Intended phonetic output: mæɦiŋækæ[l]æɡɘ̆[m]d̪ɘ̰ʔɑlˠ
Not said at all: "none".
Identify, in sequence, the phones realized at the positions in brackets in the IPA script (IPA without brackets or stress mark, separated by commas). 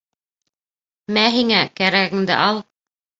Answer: ɾ, ŋ